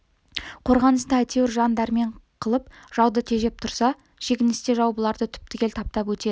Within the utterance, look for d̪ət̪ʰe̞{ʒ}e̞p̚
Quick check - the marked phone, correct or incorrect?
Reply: correct